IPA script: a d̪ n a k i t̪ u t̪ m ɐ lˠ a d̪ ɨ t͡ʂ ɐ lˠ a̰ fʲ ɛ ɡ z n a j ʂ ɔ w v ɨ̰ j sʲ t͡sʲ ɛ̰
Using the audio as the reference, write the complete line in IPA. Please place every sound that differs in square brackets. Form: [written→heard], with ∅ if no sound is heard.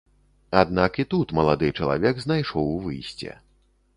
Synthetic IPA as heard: a d̪ n a k i t̪ u t̪ m ɐ lˠ a d̪ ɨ t͡ʂ ɐ lˠ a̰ [fʲ→vʲ] ɛ ɡ z n a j ʂ ɔ w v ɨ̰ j sʲ t͡sʲ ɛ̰